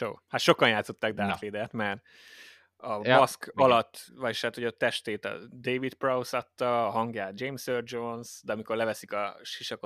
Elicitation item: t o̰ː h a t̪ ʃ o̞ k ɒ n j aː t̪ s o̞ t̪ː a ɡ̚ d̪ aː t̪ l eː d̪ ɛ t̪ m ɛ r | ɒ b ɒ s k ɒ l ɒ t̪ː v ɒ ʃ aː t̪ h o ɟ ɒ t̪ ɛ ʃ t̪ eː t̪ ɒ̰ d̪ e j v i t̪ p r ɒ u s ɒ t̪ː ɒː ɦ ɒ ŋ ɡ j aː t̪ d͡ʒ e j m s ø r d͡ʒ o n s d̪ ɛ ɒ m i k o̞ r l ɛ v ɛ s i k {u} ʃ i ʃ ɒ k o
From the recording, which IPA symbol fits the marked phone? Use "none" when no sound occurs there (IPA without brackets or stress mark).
ɒ